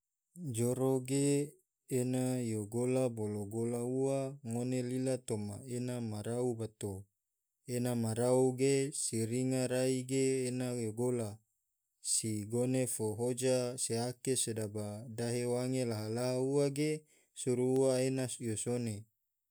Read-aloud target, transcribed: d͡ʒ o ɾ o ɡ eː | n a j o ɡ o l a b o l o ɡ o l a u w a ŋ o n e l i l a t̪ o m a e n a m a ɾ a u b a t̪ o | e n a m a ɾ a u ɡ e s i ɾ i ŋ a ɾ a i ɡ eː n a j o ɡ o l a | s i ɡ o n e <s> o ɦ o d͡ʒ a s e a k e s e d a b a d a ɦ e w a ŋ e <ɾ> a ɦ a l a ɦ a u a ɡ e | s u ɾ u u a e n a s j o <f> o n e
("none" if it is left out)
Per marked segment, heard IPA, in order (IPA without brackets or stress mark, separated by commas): f, l, s